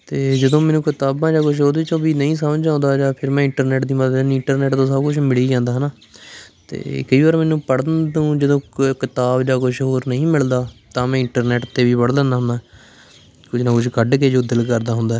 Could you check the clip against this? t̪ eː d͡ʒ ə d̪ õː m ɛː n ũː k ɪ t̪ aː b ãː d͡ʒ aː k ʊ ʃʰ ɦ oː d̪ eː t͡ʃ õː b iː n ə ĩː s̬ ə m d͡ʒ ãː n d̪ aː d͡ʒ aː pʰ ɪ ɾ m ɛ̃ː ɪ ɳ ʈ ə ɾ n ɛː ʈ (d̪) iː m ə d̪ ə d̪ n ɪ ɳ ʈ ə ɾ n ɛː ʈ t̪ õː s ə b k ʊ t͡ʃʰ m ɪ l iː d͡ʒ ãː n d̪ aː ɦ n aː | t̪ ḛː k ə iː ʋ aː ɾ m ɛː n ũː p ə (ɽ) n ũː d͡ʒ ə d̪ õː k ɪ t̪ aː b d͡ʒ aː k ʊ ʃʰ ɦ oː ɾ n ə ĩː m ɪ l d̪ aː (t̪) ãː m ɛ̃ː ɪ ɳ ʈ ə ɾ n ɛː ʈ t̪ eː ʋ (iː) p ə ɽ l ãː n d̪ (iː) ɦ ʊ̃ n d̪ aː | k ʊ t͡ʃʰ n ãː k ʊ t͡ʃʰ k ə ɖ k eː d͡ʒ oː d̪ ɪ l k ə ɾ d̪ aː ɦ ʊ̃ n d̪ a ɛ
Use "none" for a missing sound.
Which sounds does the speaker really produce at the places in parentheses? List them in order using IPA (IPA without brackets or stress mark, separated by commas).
d̪, ɽ, t̪, iː, aː